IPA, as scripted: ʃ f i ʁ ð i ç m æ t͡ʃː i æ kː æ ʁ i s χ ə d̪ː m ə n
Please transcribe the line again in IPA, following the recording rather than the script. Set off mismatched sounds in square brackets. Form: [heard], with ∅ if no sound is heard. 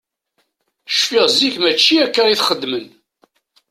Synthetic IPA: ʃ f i ʁ [z] i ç m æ t͡ʃː i æ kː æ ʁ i [θ] χ ə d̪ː m ə n

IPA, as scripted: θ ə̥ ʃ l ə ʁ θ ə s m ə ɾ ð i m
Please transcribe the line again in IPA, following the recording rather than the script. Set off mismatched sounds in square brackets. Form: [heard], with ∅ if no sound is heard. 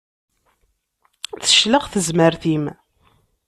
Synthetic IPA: θ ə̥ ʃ l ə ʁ θ ə [z] m ə ɾ [θ] i m

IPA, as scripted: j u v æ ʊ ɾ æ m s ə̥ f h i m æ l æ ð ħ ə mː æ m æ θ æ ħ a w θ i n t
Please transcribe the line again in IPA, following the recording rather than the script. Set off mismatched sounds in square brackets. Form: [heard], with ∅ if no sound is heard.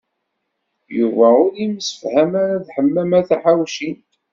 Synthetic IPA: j u v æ ʊ ɾ [i] m s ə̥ f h [æ] m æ [ɾ] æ ð ħ ə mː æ m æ θ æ ħ a w [ʃ] i n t

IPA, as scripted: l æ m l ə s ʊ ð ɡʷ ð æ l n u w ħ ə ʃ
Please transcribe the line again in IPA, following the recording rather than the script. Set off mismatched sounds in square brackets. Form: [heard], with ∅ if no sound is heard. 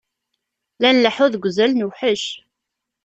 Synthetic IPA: l æ [n] l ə [ħ] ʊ ð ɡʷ [z] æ l n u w ħ ə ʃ

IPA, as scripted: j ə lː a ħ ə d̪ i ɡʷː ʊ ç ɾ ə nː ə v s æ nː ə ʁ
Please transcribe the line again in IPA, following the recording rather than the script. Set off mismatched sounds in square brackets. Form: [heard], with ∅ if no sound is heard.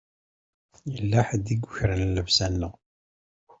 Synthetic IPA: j ə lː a ħ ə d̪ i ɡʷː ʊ ç ɾ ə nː ə v s æ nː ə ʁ

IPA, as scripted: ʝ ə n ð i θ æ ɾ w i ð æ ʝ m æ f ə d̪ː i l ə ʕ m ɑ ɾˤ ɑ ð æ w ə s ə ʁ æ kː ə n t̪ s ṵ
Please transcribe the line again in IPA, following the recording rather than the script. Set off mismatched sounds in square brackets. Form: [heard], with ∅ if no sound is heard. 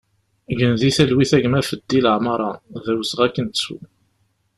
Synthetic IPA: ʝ ə n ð i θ æ [l] w i [θ] æ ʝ m æ f ə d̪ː i l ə ʕ m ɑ ɾˤ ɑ ð æ w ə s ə ʁ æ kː ə n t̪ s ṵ

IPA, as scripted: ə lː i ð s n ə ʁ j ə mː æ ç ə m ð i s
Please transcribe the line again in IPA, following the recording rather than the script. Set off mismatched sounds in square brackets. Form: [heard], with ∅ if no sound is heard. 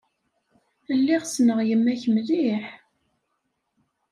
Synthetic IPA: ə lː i [ʁ] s n ə ʁ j ə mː æ ç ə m ð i [ħ]

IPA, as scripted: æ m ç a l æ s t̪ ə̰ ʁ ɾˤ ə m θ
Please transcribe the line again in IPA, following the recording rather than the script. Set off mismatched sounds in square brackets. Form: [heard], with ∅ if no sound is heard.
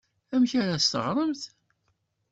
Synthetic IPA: æ m ç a [ɾ] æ s t̪ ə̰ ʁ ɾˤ ə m θ

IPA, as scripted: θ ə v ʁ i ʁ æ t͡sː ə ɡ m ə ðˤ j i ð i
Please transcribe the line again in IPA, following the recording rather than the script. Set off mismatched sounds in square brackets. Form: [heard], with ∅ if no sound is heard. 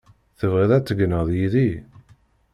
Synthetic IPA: θ ə v ʁ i [ð] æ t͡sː ə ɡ [n] ə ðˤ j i ð i

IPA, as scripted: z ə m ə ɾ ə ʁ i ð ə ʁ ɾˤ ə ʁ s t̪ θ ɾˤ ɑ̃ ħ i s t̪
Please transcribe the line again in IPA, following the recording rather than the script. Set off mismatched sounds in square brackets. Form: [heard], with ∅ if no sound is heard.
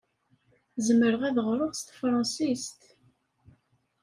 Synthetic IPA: z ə m ə ɾ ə ʁ [æ] ð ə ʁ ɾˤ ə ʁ s t̪ [f] ɾˤ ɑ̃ [s] i s t̪

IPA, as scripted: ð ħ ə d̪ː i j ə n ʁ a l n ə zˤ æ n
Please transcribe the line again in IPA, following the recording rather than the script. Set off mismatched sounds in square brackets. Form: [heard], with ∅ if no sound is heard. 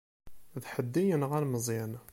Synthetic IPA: ð ħ ə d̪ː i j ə n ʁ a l [m] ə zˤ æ n

